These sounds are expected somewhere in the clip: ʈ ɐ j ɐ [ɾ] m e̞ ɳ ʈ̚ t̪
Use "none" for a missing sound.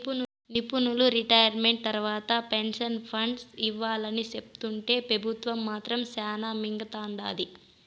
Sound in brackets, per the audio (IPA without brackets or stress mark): ɾ